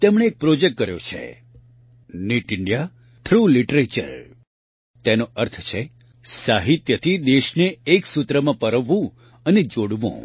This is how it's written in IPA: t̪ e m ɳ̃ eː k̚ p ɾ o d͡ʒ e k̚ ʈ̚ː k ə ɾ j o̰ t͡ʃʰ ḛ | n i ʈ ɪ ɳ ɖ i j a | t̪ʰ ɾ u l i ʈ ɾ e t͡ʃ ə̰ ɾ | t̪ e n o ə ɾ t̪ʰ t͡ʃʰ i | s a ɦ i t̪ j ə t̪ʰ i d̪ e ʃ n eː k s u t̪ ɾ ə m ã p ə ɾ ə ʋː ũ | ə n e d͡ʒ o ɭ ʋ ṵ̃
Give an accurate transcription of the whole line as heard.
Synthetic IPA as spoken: t̪ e m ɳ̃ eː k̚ p ɾ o d͡ʒ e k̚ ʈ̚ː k ə ɾ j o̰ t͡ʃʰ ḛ | n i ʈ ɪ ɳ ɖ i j a | t̪ʰ ɾ u l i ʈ ɾ e t͡ʃ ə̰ ɾ | t̪ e n o ə ɾ t̪ʰ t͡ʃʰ e | s a ɦ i t̪ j ə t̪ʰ i d̪ e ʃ n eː k s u t̪ ɾ ə m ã p ə ɾ ə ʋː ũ | ə n e d͡ʒ o ɽ ʋ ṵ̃

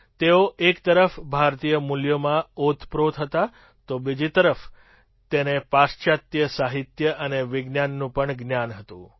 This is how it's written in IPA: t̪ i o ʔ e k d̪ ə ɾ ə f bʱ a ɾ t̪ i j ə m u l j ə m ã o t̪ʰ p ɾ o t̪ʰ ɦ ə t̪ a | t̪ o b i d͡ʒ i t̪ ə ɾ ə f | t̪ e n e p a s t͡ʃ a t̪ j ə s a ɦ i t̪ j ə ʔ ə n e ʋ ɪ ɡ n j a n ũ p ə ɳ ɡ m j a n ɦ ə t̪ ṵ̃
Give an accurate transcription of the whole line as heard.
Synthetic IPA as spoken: t̪ e o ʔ e k t̪ ə ɾ ə f bʱ a ɾ t̪ i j ə m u l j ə m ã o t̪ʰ p ɾ o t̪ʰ ɦ ə t̪ a | t̪ o b i d͡ʒ i t̪ ə ɾ ə f | t̪ e n e p a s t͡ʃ a t̪ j ə s a ɦ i t̪ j ə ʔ ə n e ʋ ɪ ɡ n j a nː ũ p ə ɳ ɡ n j a n ɦ ə t̪ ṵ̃

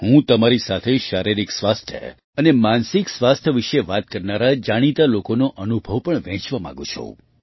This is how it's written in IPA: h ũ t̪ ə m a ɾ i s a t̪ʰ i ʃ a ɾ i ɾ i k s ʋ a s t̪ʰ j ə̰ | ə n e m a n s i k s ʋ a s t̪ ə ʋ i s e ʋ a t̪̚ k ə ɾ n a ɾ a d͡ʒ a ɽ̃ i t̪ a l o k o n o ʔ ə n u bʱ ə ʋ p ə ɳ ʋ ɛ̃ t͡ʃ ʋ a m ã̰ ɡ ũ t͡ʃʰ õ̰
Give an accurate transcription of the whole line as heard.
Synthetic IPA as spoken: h ũ t̪ ə m a ɾ i s a t̪ʰ e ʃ a ɾ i ɾ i k s ʋ a s t̪ʰ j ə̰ | ə n e m a n s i k s ʋ a s t̪ʰ ə ʋ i ʃ e ʋ a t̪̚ k ə ɾ n a ɾ a d͡ʒ a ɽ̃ i t̪ a l o k o n o ʔ ə n u bʱ ə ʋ p ə ɳ ʋ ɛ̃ t͡ʃ ʋ a m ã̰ ɡ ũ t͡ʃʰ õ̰

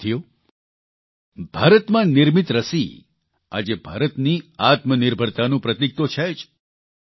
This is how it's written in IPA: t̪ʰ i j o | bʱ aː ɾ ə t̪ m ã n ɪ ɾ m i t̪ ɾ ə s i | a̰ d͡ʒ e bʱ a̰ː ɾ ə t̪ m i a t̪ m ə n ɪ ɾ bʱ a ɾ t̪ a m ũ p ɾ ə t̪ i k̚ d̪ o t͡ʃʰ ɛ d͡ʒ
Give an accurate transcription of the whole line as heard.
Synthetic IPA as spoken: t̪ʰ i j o | bʱ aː ɾ ə t̪ m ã n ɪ ɾ m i t̪ ɾ ə s i | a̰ d͡ʒ e bʱ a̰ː ɾ ə t̪ n i a t̪ m ə n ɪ ɾ bʱ ə ɾ t̪ a n ũ p ɾ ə t̪ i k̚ t̪ o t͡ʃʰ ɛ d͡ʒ

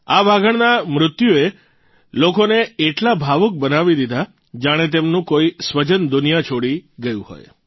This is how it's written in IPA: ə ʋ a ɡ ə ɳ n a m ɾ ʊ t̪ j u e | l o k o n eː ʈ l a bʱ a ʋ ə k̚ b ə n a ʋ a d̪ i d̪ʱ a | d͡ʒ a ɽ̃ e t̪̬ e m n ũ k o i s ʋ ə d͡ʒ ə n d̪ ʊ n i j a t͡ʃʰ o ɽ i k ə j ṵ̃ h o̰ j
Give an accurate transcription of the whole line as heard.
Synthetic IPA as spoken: a ʋ a ɡ ə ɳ n a m ɾ ʊ t̪ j u e | l o k o n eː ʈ l a bʱ a ʋ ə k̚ b ə n a ʋ i d̪ i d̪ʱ a | d͡ʒ a ɽ̃ e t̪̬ e m n ũ k o i s ʋ ə d͡ʒ ə n d̪ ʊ n i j a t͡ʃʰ o ɽ i ɡ ə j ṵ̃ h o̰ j

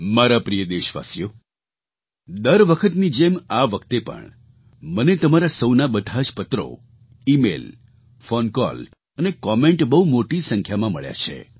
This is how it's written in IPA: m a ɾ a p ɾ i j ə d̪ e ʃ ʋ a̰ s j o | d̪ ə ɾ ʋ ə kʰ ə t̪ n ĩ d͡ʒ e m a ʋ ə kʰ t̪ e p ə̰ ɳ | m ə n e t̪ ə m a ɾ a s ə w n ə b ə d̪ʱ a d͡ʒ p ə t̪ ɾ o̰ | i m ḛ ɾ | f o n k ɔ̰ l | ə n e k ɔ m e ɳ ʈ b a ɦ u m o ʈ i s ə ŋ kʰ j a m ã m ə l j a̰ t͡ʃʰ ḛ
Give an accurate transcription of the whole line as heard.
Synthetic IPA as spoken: m a ɾ a p ɾ i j ə d̪ e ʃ ʋ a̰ s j o | d̪ ə ɾ ʋ ə kʰ ə t̪ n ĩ d͡ʒ e m a ʋ ə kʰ t̪ e p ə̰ ɳ | m ə n e t̪ ə m a ɾ a s ə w n a b ə d̪ʱ a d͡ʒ p ə t̪ ɾ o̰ | i m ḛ l | f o n k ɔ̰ l | ə n e k ɔ m e ɳ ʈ b ə ɦ u m o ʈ i s ə ŋ kʰ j a m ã m ə ɭ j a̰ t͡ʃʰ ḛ

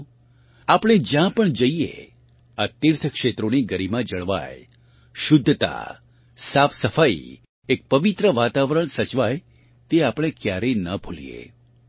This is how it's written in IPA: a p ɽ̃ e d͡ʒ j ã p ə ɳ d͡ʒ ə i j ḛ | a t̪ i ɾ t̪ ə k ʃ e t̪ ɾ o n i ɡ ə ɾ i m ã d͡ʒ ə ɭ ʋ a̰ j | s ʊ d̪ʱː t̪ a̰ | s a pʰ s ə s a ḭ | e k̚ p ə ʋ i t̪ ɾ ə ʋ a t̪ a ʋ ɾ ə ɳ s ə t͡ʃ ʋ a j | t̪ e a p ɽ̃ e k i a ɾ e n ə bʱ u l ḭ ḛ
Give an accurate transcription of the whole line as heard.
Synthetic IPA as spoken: a p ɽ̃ e d͡ʒ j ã p ə ɳ d͡ʒ ə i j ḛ | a t̪ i ɾ t̪ʰ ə k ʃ e t̪ ɾ o n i ɡ ə ɾ i m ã d͡ʒ ə ɭ ʋ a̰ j | ʃ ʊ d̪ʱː t̪ a̰ | s a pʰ s ə f a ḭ | e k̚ p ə ʋ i t̪ ɾ ə ʋ a t̪ a ʋ ɾ ə ɳ s ə t͡ʃ ʋ a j | t̪ e a p ɽ̃ e k j a ɾ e n ə bʱ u l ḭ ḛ

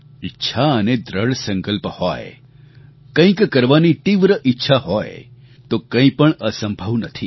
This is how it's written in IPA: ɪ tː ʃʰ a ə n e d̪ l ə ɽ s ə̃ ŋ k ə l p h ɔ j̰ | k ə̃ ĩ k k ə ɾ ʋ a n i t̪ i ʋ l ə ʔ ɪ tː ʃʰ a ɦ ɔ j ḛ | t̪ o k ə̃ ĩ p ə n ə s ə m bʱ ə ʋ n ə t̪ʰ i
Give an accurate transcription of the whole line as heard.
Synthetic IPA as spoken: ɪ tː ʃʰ a ə n e d̪ ɾ ə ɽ s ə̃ ŋ k ə l p h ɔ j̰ | k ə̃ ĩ k k ə ɾ ʋ a n i t̪ i ʋ ɾ ə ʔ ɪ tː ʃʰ a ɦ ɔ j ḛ | t̪ o k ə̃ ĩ p ə ɳ ə s ə m bʱ ə ʋ n ə t̪ʰ i

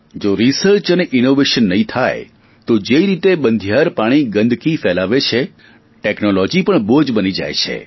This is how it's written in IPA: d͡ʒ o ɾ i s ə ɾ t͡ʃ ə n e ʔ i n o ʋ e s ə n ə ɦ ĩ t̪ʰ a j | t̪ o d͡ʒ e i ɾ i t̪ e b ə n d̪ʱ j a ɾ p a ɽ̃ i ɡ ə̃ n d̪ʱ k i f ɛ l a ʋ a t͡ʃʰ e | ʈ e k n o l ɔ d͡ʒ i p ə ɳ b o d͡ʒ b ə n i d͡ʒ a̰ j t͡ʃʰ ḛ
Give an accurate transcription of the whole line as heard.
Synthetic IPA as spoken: d͡ʒ o ɾ i s ə ɾ t͡ʃ ə n e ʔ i n o ʋ e ʃ ə nː ə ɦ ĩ t̪ʰ a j | t̪ o d͡ʒ e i ɾ i t̪ e b ə n d̪ʱ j a ɾ p a ɽ̃ i ɡ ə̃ n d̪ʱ k i f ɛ l a ʋ e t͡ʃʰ e | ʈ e k n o l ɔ d͡ʒ i p ə ɳ b o d͡ʒ b ə n i d͡ʒ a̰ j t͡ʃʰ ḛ

